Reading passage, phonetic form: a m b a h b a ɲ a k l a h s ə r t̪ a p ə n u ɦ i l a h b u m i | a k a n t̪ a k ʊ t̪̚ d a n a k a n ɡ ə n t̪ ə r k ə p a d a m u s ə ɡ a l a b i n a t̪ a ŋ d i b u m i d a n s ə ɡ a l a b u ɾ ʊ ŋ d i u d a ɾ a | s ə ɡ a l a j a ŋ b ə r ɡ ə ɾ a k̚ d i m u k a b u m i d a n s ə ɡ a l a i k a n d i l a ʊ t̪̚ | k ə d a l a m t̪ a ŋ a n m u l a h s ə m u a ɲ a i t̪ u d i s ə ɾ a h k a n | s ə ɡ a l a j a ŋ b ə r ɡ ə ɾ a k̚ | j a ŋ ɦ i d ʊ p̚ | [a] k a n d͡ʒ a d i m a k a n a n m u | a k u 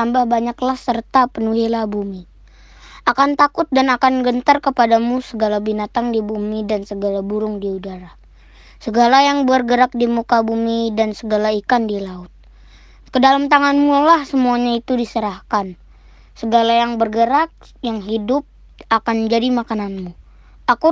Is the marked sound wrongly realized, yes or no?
no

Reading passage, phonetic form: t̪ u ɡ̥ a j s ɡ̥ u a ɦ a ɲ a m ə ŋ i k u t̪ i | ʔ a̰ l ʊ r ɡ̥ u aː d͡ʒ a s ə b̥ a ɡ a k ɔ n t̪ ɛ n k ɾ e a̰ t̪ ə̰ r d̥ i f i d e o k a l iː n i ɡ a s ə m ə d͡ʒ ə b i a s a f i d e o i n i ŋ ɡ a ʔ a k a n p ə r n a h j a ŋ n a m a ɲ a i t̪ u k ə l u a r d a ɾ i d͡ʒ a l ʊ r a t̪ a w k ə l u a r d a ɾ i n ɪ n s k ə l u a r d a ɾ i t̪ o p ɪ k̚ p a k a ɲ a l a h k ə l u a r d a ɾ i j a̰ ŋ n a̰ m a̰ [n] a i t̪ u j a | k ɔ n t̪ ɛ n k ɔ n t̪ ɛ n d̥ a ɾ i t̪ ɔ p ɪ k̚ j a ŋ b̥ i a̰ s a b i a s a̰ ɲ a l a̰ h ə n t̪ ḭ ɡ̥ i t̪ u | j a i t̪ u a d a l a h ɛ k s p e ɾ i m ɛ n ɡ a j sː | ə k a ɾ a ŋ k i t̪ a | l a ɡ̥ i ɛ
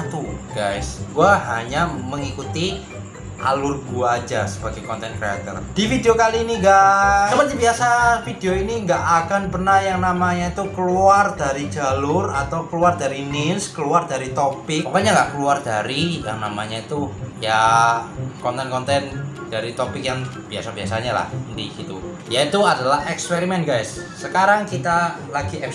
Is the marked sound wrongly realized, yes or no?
yes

